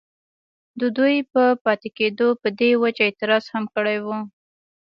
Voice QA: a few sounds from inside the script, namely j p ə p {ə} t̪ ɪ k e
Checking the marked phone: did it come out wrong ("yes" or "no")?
yes